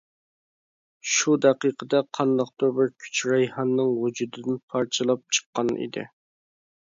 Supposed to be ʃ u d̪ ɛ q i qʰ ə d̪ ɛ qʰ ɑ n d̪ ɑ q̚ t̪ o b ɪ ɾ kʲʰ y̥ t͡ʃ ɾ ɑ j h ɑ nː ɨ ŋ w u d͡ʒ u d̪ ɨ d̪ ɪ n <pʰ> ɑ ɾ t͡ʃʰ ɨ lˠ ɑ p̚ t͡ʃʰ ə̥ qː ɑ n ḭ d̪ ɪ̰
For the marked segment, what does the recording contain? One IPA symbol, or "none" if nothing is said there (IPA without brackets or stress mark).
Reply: pʰ